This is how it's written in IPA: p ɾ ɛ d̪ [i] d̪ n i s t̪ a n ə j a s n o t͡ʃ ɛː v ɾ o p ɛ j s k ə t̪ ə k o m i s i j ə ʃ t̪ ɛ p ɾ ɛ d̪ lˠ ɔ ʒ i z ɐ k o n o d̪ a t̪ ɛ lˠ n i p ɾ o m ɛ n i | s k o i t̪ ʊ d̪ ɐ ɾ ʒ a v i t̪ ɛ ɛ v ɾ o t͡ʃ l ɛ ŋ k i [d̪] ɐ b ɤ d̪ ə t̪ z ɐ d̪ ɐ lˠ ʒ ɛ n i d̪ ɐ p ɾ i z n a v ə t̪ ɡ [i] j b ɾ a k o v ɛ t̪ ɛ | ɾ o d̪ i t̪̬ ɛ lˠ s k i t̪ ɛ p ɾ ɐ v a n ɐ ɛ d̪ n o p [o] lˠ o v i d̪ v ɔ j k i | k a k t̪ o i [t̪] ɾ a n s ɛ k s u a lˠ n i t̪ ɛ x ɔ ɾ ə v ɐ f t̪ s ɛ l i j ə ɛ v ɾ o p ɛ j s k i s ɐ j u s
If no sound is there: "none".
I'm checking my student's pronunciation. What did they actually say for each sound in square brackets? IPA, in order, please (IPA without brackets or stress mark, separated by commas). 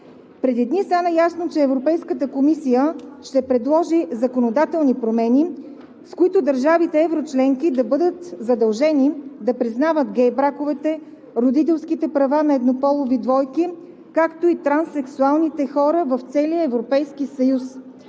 i, d̪, ɛ, ɔ, t̪